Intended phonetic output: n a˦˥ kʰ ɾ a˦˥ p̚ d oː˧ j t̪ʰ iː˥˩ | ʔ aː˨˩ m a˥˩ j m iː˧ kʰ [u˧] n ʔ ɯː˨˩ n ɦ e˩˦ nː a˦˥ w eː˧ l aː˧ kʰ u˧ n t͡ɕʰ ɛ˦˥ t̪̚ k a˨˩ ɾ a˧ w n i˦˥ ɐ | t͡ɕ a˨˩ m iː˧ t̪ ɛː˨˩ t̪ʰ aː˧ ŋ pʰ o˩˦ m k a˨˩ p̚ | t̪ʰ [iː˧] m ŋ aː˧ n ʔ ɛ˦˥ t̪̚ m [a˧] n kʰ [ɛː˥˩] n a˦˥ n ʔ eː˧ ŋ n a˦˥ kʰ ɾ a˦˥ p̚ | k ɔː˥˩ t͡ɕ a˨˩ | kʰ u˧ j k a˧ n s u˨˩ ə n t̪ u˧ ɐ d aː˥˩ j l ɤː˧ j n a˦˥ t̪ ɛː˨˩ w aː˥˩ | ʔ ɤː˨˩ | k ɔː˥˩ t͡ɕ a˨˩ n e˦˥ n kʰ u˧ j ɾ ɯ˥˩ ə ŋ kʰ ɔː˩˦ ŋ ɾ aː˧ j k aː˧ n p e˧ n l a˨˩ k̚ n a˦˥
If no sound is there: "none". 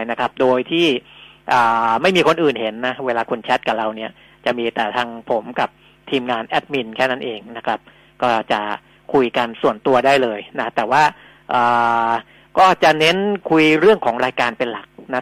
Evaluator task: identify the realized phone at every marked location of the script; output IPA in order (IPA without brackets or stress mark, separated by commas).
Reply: o˧, iː˧, i˧, ɛː˥˩